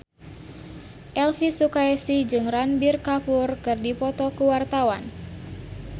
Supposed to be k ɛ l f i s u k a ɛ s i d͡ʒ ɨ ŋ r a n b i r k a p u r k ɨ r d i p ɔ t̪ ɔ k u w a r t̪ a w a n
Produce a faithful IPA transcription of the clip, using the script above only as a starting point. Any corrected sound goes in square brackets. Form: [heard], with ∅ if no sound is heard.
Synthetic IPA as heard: [ʔ] ɛ l f i s u k a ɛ s i d͡ʒ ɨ ŋ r a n b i r k a p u r k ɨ r d i p ɔ t̪ ɔ k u w a r t̪ a w a n